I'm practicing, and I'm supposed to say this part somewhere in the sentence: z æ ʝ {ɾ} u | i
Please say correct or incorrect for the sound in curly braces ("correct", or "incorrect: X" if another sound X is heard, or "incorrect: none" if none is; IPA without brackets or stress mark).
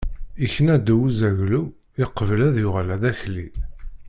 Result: incorrect: l